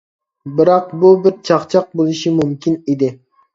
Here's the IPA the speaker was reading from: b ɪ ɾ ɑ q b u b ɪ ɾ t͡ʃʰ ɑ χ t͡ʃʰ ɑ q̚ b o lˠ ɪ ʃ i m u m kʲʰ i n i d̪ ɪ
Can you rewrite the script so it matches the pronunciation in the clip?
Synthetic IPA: b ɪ ɾ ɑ q b u b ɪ ɾ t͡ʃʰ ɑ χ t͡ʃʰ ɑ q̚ b o lˠ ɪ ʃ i m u m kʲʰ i n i d̪ ɪ